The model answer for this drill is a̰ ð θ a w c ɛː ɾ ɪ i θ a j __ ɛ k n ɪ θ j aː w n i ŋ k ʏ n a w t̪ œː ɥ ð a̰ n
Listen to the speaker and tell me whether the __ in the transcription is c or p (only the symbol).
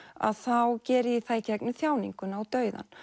c